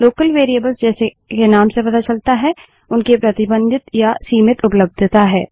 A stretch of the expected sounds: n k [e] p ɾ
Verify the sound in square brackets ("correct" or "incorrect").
correct